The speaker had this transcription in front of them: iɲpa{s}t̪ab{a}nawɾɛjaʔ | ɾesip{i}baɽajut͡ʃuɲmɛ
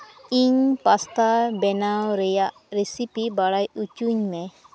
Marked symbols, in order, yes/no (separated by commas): yes, no, yes